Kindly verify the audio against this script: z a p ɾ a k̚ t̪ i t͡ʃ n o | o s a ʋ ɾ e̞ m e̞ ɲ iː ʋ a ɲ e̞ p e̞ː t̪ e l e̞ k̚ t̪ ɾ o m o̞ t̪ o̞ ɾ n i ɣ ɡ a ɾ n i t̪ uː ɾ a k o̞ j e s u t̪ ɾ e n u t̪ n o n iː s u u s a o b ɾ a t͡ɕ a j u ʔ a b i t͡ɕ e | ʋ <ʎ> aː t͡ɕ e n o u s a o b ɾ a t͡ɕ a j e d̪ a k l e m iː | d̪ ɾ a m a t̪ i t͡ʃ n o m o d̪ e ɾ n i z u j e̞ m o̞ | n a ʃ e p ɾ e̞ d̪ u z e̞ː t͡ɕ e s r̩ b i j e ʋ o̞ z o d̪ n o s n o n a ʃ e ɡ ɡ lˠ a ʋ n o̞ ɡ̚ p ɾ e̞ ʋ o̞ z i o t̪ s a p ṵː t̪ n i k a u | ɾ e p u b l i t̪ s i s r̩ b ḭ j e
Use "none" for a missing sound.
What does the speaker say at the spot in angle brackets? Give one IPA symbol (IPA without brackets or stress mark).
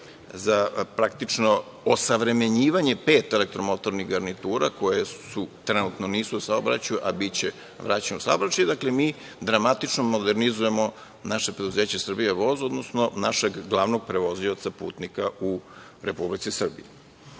ɾ